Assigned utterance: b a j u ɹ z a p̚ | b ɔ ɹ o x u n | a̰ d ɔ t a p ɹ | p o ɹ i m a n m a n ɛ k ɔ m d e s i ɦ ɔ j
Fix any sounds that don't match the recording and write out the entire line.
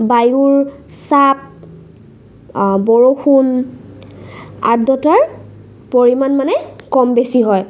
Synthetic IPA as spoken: b a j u ɹ s a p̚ | b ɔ ɹ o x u n | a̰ d ɔ t a ɹ | p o ɹ i m a n m a n ɛ k ɔ m b e s i ɦ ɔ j